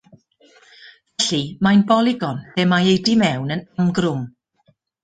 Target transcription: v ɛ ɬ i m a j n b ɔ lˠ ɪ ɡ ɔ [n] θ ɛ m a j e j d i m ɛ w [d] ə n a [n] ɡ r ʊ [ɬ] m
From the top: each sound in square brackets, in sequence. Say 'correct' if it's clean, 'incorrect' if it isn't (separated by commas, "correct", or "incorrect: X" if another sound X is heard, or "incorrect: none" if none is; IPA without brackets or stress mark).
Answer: correct, incorrect: n, incorrect: m, incorrect: none